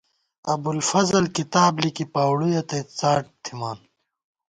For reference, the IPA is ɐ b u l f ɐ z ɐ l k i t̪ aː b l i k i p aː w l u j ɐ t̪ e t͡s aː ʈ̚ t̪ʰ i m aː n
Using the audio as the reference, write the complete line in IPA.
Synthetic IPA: ɐ b u l f ɐ z ɐ l k i t̪ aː b l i k i p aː w ɽ u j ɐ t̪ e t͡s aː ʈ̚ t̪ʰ i m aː n